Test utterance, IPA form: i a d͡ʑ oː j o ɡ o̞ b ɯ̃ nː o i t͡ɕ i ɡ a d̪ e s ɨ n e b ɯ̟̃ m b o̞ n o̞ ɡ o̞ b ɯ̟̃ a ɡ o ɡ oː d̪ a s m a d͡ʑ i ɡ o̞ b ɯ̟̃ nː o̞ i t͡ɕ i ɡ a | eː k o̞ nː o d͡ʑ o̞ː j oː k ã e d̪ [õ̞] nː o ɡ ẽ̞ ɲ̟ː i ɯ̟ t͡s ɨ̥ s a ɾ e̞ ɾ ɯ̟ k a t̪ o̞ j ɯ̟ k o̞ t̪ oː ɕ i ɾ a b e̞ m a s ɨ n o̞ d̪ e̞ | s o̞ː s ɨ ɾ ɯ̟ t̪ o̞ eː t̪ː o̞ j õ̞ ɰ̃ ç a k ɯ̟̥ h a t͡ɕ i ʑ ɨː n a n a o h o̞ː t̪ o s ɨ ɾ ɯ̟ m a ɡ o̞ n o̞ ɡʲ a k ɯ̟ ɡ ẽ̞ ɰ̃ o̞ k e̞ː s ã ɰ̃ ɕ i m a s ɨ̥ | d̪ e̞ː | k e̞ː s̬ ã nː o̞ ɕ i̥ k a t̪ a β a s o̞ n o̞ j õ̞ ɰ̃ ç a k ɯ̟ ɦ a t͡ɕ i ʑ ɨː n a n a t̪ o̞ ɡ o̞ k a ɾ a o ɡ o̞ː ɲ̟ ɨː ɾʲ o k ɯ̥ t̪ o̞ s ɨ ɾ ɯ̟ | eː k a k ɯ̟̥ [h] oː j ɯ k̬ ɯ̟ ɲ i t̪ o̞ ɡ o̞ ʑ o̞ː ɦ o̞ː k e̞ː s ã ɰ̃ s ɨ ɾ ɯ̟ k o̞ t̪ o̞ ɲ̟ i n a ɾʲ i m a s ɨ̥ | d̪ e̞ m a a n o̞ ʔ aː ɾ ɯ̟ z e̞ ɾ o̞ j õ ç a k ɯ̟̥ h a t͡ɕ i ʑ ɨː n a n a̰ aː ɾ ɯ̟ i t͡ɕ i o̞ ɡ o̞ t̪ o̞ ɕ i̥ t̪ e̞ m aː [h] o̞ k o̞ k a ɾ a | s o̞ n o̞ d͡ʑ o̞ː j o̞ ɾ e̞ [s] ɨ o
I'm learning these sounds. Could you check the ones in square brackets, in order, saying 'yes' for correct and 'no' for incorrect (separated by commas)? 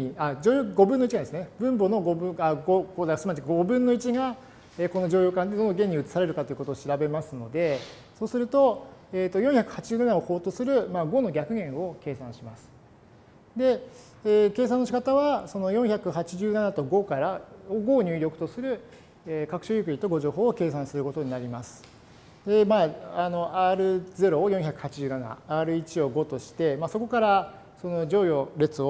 no, no, no, no